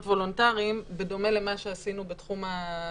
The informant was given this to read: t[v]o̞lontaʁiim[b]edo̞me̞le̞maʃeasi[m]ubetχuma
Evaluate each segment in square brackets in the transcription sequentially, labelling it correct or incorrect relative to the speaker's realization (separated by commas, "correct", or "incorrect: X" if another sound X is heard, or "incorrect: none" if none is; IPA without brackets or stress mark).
correct, correct, incorrect: n